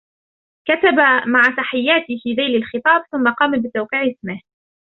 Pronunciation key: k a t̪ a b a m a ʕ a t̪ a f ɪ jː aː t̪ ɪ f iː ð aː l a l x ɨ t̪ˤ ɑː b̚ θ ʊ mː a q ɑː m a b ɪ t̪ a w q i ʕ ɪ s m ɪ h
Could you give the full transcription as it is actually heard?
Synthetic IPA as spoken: k a t̪ a b a m a ʕ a t̪ a ħ ɪ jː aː t̪ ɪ f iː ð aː l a l x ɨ t̪ˤ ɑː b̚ θ ʊ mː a q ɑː m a b ɪ t̪ a w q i ʕ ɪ s m ɪ h